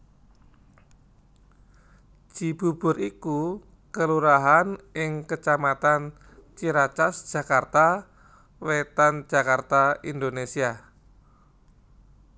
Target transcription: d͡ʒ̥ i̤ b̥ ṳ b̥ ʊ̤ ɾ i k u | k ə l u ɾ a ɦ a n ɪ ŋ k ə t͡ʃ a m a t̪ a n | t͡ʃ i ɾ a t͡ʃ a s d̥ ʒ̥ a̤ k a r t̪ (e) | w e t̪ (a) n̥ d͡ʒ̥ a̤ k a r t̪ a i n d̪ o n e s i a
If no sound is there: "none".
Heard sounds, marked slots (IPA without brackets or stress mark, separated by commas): a, a